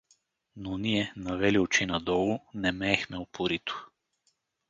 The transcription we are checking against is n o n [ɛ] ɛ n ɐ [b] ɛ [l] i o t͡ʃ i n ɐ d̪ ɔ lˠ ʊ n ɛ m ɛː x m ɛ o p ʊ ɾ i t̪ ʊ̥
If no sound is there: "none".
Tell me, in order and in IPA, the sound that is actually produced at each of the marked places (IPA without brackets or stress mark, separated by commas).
i, v, l